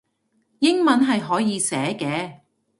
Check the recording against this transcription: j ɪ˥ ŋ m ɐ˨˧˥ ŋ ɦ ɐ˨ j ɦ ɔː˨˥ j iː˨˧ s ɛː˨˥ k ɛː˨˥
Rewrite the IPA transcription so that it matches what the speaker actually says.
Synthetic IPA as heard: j ɪ˥ ŋ m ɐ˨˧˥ n ɦ ɐ˨ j ɦ ɔː˨˥ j iː˨˧ s ɛː˨˥ k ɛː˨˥